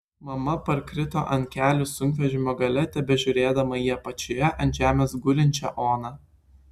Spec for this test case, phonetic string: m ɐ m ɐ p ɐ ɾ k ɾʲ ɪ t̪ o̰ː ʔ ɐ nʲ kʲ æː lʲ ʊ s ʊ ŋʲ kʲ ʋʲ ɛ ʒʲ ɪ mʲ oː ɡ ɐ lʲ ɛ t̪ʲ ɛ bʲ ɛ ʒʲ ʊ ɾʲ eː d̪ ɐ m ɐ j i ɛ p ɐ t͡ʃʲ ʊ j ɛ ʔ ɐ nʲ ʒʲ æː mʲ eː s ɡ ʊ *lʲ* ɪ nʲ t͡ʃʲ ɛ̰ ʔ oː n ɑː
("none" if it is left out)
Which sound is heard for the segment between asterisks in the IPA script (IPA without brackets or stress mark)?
lʲ